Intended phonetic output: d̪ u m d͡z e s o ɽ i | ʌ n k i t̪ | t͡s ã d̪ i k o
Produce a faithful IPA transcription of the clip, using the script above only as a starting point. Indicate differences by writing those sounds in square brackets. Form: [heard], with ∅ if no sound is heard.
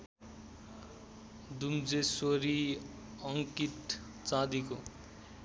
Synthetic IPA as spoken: d̪ u m d͡z e s o [ɾ] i | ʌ [ŋ] k i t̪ | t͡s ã d̪ i k o

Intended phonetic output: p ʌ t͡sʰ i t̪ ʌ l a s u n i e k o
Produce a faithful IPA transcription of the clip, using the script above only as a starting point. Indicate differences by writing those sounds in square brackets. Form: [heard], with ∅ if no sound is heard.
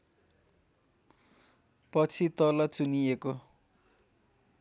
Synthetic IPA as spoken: p ʌ t͡sʰ i t̪ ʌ l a [t͡s] u n i e k o

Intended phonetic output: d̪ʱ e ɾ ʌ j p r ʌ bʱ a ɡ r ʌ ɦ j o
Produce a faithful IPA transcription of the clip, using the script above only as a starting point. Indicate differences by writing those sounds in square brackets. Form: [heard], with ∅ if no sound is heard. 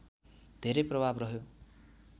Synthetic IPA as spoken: d̪ʱ e ɾ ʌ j p r ʌ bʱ a [b] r ʌ ɦ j o

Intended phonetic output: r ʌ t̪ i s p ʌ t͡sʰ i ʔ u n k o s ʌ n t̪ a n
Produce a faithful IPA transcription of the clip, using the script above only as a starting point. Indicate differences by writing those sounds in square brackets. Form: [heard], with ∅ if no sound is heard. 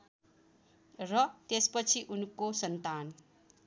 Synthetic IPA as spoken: r ʌ t̪ [e] s p ʌ t͡sʰ i ʔ u n k o s ʌ n t̪ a n

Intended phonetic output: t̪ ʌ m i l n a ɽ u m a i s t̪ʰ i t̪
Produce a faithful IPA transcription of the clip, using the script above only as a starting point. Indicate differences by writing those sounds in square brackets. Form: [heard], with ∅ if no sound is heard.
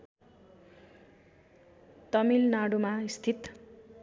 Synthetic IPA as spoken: t̪ ʌ m i l n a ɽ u m a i s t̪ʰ i t̪

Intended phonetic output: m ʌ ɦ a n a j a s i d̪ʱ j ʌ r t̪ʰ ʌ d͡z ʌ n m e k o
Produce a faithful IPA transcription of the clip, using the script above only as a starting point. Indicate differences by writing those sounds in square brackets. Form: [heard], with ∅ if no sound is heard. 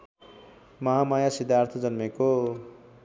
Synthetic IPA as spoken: m ʌ ɦ a [m] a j a s i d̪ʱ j [a] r t̪ʰ ʌ d͡z ʌ n m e k o

